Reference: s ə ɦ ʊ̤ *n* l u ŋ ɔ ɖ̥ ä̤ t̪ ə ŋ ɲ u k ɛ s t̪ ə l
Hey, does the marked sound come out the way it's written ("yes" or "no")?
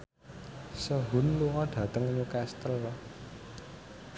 yes